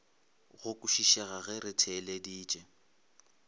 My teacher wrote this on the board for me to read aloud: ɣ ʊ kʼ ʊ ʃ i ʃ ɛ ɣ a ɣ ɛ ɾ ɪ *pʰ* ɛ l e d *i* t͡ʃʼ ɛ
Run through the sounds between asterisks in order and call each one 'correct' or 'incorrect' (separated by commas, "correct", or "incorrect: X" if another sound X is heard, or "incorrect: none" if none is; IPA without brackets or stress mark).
incorrect: tʰ, incorrect: iː